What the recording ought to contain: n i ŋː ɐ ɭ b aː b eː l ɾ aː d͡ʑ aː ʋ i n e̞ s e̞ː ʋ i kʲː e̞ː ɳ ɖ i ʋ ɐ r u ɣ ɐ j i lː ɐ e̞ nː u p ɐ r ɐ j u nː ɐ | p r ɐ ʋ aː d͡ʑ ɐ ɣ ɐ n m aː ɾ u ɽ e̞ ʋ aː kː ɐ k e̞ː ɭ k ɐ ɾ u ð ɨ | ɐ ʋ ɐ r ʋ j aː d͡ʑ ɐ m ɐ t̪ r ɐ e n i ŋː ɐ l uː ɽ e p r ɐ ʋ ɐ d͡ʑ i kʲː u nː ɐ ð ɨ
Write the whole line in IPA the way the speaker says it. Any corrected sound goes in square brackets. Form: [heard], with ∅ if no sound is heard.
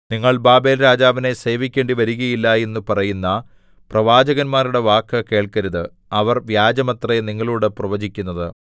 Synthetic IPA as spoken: n i ŋː ɐ ɭ b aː b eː l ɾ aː d͡ʑ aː ʋ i n e̞ s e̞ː ʋ i kʲː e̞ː ɳ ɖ i ʋ ɐ [ɾ] u ɣ ɐ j i lː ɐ e̞ nː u p ɐ r ɐ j u nː ɐ | p r ɐ ʋ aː d͡ʑ ɐ ɣ ɐ n m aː ɾ u ɽ e̞ ʋ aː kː ɐ k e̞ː ɭ k ɐ ɾ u ð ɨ | ɐ ʋ ɐ r ʋ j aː d͡ʑ ɐ m ɐ t̪ r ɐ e n i ŋː ɐ [ɭ] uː ɽ e p r ɐ ʋ ɐ d͡ʑ i kʲː u nː ɐ ð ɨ